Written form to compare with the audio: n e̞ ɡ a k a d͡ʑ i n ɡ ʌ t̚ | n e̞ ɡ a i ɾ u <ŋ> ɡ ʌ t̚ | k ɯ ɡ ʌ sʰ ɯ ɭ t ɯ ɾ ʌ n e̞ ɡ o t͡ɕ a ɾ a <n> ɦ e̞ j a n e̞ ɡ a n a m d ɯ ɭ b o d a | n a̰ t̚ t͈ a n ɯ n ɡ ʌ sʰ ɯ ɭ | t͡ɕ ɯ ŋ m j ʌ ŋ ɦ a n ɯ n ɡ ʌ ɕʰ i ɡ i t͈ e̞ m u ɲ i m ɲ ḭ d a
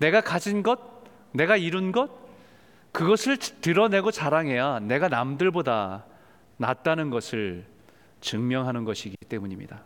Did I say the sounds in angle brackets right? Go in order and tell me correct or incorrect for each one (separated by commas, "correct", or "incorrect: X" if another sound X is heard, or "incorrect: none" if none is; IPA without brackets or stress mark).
incorrect: n, incorrect: ŋ